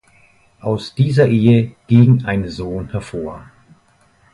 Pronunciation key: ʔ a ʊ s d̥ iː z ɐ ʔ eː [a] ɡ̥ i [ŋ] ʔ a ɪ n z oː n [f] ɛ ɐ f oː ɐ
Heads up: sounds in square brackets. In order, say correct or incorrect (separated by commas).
incorrect, correct, incorrect